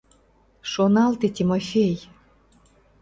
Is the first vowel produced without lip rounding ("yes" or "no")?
no